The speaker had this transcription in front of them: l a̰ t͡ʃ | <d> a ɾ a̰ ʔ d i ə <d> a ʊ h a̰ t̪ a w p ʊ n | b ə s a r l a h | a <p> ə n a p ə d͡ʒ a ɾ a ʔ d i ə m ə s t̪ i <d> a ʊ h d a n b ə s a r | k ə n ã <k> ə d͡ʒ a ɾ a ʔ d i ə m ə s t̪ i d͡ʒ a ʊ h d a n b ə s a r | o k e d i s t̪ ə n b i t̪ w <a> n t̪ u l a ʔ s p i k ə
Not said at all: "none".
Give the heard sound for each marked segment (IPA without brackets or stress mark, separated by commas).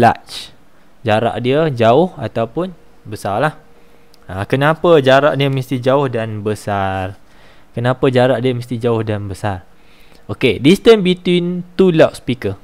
d͡ʒ, d͡ʒ, k, d͡ʒ, p, i